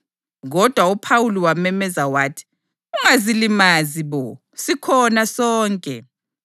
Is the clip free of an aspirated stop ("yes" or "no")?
no